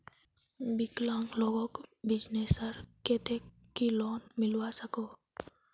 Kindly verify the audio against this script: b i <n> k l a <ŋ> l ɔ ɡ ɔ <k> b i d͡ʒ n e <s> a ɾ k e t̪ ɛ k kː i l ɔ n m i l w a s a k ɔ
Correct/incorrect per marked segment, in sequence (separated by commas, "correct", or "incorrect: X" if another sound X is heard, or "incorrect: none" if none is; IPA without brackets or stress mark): incorrect: none, correct, correct, correct